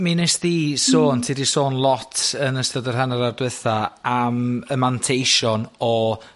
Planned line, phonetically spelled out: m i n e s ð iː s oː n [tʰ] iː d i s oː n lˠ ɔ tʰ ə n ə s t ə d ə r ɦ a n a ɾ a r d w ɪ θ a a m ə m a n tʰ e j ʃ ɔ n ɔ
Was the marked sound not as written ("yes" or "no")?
no